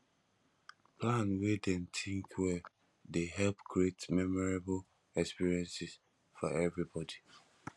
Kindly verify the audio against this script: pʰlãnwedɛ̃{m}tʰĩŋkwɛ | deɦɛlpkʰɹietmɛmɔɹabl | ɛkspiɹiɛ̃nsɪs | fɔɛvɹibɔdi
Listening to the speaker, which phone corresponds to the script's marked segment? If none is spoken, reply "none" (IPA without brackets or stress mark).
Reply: n